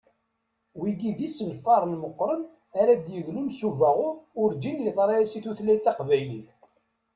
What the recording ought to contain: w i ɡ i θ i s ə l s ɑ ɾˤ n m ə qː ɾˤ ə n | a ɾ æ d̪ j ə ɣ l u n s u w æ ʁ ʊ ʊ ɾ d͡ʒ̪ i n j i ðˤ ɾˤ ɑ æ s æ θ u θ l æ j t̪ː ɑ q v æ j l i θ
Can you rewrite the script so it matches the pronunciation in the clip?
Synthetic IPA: w i ɡ i ð i s ə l f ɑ ɾˤ n m ə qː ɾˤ ə n | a ɾ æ d̪ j ə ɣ l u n s u v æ ʁ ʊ ʊ ɾ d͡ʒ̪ i n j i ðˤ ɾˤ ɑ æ s i θ u θ l æ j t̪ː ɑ q v æ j l i θ